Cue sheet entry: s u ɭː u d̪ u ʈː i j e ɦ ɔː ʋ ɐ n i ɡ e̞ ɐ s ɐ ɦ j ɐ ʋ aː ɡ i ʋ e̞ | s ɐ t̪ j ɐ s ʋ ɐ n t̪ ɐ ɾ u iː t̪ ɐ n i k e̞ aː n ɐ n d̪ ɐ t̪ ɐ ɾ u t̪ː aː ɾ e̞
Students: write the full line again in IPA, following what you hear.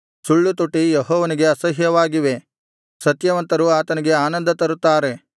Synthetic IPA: s u ɭː u t̪ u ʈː i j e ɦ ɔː ʋ ɐ n i ɡ e̞ ɐ s ɐ ɦ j ɐ ʋ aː ɡ i ʋ e̞ | s ɐ t̪ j ɐ ʋ ɐ n t̪ ɐ ɾ u aː t̪ ɐ n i ɡ e̞ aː n ɐ n d̪ ɐ t̪ ɐ ɾ u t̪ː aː ɾ e̞